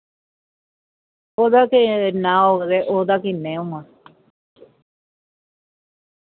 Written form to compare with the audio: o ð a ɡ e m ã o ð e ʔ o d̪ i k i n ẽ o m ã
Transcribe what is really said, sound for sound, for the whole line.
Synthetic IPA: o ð a k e n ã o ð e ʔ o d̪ a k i n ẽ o m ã

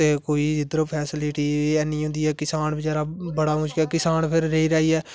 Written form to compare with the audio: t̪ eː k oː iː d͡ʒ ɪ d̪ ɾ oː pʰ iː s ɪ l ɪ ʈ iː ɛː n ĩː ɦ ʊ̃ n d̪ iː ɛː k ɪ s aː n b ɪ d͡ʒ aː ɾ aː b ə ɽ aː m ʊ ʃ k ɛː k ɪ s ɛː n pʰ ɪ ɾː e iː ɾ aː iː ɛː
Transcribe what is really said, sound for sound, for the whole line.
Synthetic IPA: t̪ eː k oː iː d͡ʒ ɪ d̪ ɾ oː pʰ ɛː s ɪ l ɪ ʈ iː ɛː n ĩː ɦ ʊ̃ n d̪ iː ɛː k ɪ s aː n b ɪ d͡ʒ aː ɾ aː b ə ɽ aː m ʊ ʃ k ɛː k ɪ s aː n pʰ ɪ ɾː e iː ɾ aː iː ɛː

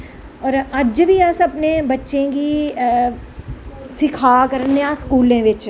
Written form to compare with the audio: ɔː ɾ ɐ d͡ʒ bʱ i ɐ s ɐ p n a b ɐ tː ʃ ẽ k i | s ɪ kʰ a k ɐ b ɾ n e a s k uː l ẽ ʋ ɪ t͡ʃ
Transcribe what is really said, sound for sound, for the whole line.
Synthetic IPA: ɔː ɾ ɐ d͡ʒ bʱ i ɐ s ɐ p n e b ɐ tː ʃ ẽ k i | s ɪ kʰ a k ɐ ɾ n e a s k uː l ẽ ʋ ɪ t͡ʃ

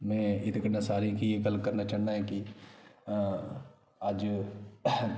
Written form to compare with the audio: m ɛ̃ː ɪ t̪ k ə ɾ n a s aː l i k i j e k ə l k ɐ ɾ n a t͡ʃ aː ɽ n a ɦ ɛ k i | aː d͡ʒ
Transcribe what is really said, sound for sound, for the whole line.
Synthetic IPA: m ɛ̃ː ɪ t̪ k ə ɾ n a s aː ɾ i k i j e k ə l k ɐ ɾ n a t͡ʃ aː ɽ n a ɦ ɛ k i | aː d͡ʒ

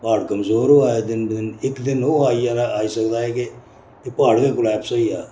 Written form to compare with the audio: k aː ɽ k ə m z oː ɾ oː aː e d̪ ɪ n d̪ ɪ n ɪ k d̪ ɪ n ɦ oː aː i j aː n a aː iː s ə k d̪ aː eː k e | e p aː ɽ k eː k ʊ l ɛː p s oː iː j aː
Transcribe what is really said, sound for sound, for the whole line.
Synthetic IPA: p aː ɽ k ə m z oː ɾ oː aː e d̪ ɪ n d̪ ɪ n ɪ k d̪ ɪ n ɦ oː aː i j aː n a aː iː s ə k d̪ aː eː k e | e p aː ɽ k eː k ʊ l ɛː p s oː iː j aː

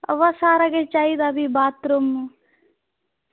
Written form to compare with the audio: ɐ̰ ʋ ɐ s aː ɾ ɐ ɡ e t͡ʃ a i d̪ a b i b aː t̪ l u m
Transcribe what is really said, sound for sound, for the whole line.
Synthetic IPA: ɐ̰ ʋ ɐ s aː ɾ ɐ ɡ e t͡ʃ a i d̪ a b i b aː t̪ ɾ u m

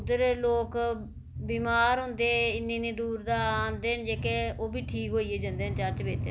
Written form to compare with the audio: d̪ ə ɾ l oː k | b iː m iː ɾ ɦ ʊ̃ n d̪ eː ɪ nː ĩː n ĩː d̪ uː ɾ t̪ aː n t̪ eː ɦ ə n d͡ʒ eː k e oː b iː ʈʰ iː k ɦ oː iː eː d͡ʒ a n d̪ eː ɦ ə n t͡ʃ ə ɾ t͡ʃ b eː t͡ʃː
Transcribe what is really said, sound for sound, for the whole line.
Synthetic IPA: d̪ ə ɾ l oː k | b iː m aː ɾ ɦ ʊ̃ n d̪ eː ɪ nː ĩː n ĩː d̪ uː ɾ d̪ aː n d̪ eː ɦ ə n d͡ʒ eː k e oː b iː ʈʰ iː k ɦ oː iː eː d͡ʒ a n d̪ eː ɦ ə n t͡ʃ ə ɾ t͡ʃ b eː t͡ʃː

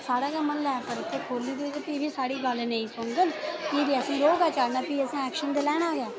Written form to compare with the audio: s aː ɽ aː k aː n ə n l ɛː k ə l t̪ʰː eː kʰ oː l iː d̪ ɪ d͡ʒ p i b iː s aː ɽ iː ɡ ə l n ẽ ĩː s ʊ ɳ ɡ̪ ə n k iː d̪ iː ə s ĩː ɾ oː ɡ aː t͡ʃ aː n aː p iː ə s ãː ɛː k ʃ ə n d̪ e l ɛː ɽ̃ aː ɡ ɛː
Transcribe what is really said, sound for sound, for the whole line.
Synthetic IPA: s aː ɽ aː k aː m ə n l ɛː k ə ɾ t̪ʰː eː kʰ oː l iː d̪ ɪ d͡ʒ p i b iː s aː ɽ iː ɡ ə l n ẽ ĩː s ʊ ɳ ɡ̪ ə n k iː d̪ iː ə s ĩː ɾ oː ɡ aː t͡ʃ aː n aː p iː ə s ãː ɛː k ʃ ə n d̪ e l ɛː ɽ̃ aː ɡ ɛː

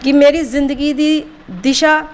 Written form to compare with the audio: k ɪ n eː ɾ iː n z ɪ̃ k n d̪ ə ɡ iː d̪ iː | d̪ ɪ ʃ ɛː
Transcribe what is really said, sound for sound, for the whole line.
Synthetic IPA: k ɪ m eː ɾ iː z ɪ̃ n d̪ ə ɡ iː d̪ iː | d̪ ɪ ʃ aː

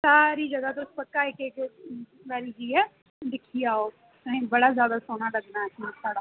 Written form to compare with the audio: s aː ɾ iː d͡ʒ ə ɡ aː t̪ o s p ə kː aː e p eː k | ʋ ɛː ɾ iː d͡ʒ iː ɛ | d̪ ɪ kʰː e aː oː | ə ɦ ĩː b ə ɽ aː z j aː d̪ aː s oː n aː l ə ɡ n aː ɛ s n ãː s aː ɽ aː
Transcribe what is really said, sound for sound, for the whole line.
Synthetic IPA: s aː ɾ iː d͡ʒ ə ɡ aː t̪ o s p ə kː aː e k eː k | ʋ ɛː ɾ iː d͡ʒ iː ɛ | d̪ ɪ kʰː i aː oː | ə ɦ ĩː b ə ɽ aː z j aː d̪ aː s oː n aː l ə ɡ n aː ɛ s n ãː s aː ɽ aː

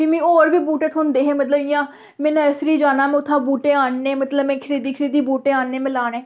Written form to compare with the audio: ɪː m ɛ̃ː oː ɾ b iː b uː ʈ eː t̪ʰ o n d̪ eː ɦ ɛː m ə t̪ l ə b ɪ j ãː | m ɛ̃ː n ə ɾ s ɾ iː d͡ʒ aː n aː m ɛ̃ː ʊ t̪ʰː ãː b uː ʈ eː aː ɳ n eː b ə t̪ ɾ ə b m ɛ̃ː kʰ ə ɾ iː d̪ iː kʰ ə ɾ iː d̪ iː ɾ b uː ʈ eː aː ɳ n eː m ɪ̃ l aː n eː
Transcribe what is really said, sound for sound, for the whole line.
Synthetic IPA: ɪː m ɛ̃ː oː ɾ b iː b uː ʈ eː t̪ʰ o n d̪ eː ɦ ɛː m ə t̪ l ə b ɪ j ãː | m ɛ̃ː n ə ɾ s ɾ iː d͡ʒ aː n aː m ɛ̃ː ʊ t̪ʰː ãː b uː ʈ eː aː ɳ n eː m ə t̪ l ə b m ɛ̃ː kʰ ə ɾ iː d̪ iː kʰ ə ɾ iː d̪ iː b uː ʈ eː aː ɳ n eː m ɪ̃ l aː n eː

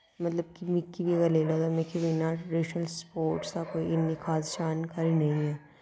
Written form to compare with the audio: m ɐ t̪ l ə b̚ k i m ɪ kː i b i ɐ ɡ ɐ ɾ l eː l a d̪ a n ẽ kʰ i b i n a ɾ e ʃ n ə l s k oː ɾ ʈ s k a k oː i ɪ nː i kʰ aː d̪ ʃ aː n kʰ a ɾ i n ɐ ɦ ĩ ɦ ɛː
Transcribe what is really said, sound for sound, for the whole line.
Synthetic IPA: m ɐ t̪ l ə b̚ k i m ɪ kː i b i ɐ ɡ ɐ ɾ l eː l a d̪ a m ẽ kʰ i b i n a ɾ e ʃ n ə l s p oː ɾ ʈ s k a k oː i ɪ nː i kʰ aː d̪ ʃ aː n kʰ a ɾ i n ɐ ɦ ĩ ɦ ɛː

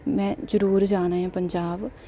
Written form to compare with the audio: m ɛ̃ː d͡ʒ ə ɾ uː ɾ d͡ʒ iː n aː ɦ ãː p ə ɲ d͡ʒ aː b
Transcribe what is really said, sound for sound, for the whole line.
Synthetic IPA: m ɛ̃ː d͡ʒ ə ɾ uː ɾ d͡ʒ aː n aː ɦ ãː p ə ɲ d͡ʒ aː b

